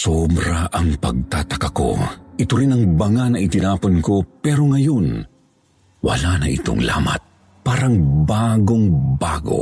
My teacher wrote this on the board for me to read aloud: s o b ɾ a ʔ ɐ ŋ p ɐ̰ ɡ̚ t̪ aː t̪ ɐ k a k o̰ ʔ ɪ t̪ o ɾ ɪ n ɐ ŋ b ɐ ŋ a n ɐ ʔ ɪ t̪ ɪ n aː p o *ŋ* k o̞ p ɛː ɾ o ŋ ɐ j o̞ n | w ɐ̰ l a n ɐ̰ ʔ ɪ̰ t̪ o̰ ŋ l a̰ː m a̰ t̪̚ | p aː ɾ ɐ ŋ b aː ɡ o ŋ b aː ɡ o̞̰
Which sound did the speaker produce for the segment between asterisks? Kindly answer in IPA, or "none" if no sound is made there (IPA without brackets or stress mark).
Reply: n